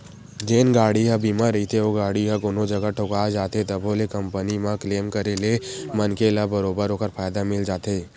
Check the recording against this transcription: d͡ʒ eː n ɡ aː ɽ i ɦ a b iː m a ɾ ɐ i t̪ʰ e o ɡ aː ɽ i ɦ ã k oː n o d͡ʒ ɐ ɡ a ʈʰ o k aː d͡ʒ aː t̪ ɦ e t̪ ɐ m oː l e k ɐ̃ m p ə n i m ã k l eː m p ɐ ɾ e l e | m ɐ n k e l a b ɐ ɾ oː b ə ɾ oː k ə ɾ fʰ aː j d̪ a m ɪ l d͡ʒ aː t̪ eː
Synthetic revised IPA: d͡ʒ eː n ɡ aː ɽ i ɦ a b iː m a ɾ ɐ i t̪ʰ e o ɡ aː ɽ i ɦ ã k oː n o d͡ʒ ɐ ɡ a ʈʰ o k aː d͡ʒ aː t̪ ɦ e t̪ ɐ b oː l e k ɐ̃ m p ə n i m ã k l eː m k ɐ ɾ e l e | m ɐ n k e l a b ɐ ɾ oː b ə ɾ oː k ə ɾ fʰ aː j d̪ a m ɪ l d͡ʒ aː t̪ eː